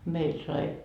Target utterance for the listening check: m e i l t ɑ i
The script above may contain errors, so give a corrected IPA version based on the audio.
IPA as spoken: m e i l s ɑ i